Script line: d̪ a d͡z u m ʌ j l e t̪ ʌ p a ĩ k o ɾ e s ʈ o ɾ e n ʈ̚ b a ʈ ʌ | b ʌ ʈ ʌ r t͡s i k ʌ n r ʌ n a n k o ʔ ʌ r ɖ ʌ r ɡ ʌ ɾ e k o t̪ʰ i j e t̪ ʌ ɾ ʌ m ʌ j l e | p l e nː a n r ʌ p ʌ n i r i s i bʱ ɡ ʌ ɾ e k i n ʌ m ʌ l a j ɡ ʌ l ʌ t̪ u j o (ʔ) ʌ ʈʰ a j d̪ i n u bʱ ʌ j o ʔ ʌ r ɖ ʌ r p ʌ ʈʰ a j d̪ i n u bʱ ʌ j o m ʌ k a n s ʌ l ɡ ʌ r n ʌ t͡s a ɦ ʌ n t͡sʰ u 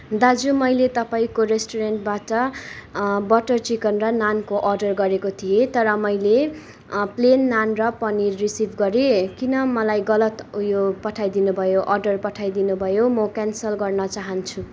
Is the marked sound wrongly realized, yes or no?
yes